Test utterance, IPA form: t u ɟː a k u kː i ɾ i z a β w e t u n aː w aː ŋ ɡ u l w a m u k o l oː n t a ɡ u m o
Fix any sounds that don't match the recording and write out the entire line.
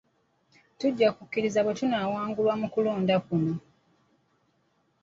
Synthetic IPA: t u ɟː a k u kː i ɾ i z a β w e t u n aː w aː ŋ ɡ u l w a m u k u l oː n d a k u n o